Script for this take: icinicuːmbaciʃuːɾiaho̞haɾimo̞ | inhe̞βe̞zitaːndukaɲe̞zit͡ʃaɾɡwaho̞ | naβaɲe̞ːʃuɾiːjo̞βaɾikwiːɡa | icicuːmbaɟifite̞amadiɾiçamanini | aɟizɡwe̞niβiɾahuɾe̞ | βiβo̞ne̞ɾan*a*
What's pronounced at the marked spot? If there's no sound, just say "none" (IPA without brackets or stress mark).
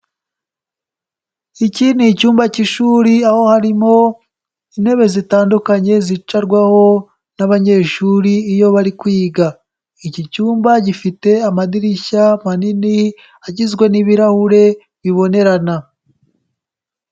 a